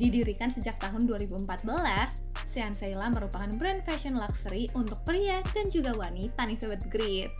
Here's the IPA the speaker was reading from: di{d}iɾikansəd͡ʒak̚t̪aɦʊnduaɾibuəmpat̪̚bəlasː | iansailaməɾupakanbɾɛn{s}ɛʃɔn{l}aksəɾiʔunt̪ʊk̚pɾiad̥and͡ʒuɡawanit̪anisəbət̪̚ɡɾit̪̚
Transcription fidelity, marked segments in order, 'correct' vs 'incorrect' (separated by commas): correct, incorrect, correct